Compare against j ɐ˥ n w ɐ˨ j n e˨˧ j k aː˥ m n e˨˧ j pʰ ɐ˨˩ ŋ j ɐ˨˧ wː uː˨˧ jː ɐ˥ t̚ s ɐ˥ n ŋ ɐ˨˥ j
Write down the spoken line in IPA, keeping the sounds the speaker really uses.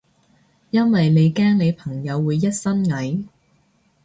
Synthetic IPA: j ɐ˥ n w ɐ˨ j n e˨˧ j k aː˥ ŋ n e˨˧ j pʰ ɐ˨˩ ŋ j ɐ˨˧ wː uː˨˧ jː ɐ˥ t̚ s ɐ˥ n ŋ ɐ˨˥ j